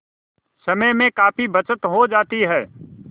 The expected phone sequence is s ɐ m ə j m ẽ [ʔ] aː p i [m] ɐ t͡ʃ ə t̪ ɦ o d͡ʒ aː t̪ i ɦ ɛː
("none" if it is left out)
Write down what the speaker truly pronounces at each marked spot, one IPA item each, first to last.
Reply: k, b

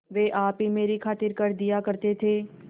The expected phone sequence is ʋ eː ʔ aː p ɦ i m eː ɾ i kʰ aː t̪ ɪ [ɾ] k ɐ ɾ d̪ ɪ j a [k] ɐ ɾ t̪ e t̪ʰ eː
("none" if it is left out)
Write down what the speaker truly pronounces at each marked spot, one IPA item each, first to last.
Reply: ɾ, k

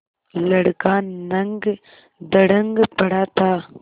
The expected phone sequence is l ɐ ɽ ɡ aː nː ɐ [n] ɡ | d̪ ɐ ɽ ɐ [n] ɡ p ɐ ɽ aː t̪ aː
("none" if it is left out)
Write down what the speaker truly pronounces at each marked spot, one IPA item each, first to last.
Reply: ŋ, ŋ

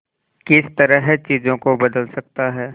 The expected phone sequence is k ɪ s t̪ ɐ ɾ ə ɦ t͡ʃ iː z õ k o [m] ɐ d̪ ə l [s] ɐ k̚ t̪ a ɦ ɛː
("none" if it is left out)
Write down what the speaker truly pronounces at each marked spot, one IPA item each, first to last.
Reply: b, s

